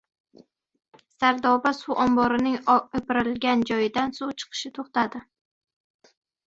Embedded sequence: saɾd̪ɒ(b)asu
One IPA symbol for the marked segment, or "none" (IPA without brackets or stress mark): b